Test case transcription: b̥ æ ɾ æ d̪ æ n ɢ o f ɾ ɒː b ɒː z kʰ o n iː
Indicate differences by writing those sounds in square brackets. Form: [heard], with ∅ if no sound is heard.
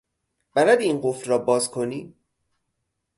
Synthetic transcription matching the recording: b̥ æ ɾ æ d̪ [i] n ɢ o f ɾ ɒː b ɒː z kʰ o n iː